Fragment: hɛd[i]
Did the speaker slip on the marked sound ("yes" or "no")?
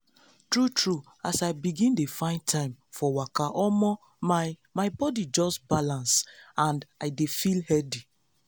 no